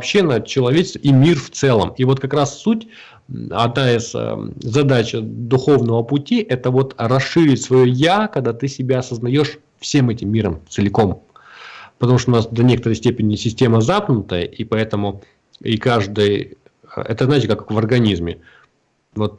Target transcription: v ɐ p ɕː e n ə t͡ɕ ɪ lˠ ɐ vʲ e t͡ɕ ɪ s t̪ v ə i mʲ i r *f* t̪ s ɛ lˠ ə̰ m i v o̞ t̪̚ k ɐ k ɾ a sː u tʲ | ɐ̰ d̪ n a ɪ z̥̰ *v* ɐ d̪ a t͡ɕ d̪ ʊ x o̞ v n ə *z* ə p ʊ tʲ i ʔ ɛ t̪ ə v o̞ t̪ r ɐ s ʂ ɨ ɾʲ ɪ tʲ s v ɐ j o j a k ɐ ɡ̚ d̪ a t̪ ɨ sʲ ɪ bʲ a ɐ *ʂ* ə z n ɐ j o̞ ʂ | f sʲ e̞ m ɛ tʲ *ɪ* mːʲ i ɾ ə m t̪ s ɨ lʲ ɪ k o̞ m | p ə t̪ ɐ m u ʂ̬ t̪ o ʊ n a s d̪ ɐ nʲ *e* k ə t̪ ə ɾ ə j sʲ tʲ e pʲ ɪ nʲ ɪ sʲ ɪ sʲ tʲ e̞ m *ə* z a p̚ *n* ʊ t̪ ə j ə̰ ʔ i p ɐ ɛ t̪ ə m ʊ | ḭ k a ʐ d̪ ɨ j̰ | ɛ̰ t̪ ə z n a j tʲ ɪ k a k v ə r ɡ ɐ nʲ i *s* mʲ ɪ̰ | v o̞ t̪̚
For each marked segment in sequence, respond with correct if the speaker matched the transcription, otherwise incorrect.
correct, incorrect: z, incorrect: v, incorrect: s, correct, correct, correct, correct, incorrect: z

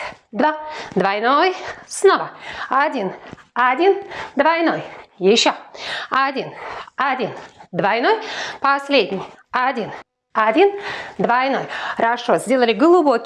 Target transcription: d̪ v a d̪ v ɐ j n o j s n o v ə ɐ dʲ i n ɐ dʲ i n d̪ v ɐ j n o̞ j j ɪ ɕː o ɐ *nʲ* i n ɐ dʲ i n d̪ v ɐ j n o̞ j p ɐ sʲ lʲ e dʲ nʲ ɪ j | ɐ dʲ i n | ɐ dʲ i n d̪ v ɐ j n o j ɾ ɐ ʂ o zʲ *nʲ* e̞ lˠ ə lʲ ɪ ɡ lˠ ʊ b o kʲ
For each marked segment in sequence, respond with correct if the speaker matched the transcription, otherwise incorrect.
incorrect: dʲ, incorrect: dʲ

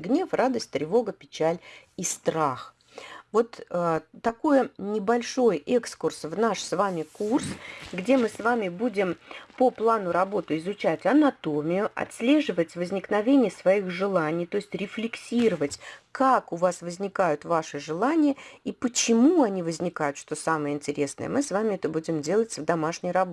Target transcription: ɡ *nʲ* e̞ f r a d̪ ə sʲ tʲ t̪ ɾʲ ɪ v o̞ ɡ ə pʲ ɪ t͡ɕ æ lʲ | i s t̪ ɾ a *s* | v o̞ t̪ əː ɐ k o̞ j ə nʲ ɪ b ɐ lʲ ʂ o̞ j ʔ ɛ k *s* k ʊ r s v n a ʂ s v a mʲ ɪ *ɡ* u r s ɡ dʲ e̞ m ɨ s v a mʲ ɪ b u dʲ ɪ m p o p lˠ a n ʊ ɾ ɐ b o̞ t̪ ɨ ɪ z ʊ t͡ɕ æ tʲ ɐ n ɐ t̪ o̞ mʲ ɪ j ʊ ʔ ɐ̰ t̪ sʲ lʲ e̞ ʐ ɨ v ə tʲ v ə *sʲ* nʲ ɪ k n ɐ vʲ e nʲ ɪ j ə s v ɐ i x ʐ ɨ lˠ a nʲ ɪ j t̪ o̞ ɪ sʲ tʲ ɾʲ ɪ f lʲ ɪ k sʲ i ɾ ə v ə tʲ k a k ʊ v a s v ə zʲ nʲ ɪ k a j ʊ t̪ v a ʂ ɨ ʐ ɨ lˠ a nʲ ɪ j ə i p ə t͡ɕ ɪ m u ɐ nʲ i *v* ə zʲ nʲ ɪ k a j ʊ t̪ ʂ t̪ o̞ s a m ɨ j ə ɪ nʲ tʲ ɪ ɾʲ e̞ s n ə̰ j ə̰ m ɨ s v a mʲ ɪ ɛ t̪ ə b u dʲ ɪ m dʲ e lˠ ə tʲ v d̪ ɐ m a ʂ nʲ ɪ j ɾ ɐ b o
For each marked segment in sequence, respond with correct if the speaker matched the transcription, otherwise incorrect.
correct, incorrect: x, correct, incorrect: k, incorrect: zʲ, correct

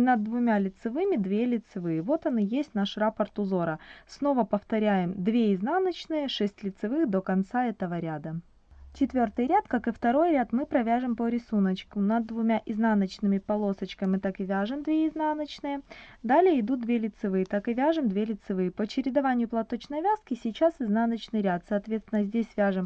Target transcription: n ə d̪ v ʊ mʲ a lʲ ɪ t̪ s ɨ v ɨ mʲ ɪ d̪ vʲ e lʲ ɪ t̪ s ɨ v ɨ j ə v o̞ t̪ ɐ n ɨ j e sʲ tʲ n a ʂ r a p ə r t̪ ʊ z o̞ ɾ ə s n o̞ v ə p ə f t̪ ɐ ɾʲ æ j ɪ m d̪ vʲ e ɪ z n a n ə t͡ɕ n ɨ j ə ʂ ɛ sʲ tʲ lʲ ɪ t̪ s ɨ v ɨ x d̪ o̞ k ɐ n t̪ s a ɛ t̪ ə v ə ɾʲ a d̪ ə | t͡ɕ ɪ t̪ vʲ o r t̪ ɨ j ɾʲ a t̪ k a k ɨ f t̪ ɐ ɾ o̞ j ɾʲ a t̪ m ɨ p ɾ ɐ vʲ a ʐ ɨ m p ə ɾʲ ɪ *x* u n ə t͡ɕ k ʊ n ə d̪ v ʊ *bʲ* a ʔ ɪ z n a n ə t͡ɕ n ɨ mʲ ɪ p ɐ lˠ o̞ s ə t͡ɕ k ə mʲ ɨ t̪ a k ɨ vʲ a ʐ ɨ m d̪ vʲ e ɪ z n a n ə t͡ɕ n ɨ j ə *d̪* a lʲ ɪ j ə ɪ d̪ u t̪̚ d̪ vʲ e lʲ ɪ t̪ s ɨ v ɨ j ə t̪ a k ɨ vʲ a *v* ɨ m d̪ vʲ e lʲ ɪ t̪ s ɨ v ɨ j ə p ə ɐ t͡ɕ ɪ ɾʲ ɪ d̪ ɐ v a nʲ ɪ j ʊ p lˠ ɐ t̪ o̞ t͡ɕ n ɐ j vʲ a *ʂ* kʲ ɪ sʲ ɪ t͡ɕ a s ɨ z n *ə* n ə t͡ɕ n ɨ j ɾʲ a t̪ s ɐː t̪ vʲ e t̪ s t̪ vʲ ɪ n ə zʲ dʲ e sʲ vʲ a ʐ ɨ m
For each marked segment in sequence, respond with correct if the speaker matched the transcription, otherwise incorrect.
incorrect: s, incorrect: mʲ, correct, incorrect: ʐ, incorrect: s, incorrect: a

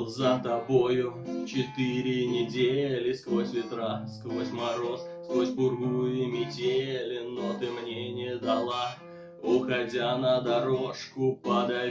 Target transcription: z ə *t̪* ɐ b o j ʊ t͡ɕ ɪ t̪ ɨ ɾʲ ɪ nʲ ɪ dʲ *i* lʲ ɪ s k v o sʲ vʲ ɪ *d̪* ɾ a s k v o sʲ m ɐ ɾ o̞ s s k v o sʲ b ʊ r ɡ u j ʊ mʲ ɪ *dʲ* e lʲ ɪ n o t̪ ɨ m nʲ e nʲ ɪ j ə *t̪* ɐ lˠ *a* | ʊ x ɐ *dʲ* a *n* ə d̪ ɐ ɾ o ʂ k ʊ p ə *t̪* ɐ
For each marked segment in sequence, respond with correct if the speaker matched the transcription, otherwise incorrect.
correct, incorrect: e, incorrect: t̪, correct, incorrect: d̪, correct, correct, correct, incorrect: d̪

